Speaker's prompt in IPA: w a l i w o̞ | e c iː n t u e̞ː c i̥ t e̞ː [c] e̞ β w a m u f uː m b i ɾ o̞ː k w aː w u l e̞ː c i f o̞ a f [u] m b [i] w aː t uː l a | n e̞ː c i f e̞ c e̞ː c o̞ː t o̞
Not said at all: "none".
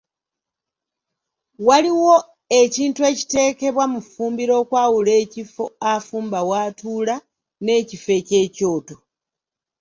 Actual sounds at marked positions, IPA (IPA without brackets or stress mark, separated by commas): k, uː, a